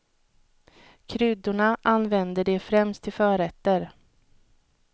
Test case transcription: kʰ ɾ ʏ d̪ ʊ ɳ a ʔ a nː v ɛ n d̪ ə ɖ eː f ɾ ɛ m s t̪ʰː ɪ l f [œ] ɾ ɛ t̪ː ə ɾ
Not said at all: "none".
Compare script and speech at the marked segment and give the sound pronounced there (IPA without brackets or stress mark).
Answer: œː